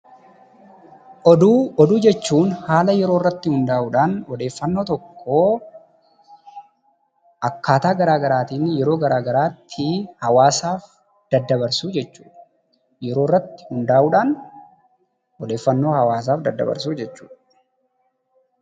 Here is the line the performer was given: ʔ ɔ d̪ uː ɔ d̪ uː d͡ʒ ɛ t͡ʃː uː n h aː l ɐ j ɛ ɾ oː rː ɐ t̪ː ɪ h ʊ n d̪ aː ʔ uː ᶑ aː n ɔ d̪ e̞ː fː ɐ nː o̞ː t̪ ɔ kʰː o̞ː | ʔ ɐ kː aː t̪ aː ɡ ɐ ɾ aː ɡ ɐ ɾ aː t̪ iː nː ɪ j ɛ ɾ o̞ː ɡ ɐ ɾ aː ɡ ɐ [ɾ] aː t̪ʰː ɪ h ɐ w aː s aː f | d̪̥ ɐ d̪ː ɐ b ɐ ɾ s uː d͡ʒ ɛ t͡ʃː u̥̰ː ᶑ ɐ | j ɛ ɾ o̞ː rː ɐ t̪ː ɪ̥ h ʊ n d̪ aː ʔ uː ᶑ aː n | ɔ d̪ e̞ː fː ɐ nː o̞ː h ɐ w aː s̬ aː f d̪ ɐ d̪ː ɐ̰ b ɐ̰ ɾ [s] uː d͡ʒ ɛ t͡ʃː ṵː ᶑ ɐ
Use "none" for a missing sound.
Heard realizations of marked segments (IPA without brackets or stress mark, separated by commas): ɾ, s